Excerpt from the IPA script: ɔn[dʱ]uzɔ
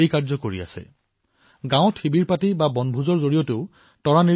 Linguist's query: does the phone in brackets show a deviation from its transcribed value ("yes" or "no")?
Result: yes